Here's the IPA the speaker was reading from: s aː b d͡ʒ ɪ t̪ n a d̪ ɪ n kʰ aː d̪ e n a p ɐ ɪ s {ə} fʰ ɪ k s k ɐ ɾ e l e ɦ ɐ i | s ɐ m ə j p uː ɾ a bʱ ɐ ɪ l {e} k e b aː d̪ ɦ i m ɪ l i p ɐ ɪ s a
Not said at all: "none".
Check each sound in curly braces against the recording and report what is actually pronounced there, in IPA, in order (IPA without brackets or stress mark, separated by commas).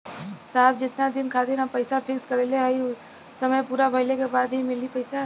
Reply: a, e